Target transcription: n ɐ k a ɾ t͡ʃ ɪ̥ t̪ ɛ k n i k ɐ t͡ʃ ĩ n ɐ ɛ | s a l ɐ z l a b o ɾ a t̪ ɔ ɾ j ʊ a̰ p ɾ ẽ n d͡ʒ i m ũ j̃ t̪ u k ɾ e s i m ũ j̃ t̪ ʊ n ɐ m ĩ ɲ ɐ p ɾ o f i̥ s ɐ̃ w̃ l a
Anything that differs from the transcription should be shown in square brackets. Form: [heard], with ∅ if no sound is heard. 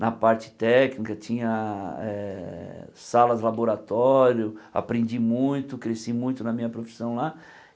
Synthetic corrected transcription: n ɐ [p] a ɾ t͡ʃ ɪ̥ t̪ ɛ k n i k ɐ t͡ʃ ĩ [ɲ] ɐ ɛ | s a l ɐ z l a b o ɾ a t̪ ɔ ɾ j ʊ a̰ p ɾ ẽ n d͡ʒ i m ũ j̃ t̪ [ʊ] k ɾ e s i m ũ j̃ t̪ ʊ n ɐ m ĩ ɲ ɐ p ɾ o f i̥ s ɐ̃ w̃ l a